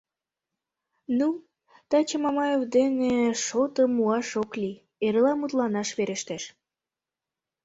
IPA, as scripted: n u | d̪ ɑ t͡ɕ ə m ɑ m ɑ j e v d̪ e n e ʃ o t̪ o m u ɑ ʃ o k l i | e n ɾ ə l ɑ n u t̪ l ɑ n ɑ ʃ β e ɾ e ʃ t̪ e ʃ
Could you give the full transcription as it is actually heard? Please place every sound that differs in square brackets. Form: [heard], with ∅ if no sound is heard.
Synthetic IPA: n u | [t̪] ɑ t͡ɕ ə m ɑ m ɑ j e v d̪ e n e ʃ o t̪ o m u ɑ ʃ o k l i | e [∅] ɾ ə l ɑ [m] u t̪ l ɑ n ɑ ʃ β e ɾ e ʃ t̪ e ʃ